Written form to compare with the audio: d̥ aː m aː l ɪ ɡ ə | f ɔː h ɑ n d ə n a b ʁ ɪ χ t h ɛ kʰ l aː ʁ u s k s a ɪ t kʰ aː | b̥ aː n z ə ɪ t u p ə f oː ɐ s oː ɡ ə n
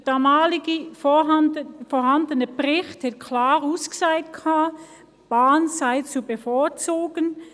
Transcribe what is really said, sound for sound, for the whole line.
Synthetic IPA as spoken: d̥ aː m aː l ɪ ɡ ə | f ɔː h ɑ n d ə n ə b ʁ ɪ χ t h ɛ kʰ l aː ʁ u s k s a ɪ t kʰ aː | b̥ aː n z a ɪ t͡s u b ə f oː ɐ t͡s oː ɡ ə n